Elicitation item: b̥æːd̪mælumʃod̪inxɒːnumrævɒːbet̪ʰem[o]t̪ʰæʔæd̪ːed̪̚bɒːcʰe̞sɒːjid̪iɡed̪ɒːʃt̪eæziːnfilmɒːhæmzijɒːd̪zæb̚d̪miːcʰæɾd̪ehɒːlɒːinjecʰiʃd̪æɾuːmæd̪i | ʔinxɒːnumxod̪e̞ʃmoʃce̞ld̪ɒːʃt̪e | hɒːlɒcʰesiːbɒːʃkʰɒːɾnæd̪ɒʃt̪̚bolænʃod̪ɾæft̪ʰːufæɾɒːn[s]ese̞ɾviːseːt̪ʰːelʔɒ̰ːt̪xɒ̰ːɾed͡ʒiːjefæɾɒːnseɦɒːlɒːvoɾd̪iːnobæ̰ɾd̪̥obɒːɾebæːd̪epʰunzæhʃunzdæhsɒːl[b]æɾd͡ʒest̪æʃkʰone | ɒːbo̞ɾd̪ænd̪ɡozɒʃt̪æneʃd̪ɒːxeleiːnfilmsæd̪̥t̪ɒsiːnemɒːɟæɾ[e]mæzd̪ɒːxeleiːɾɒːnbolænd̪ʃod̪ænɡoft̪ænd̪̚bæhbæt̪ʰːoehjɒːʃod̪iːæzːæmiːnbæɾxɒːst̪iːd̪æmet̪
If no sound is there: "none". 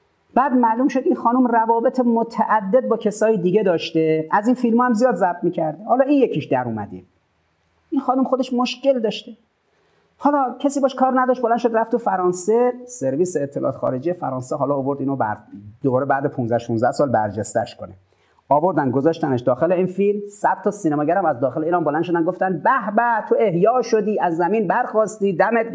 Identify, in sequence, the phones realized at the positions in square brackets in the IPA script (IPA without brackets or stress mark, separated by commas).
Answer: o, s, b, æ